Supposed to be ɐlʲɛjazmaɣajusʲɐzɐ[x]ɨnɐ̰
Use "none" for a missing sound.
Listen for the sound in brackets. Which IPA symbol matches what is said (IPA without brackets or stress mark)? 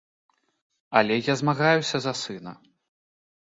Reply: s